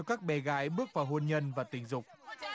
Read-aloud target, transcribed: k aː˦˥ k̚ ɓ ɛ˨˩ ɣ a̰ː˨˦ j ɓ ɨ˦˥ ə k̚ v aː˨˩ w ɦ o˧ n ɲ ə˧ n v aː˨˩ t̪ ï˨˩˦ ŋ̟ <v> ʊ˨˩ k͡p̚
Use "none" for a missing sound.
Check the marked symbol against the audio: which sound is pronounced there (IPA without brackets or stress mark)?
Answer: z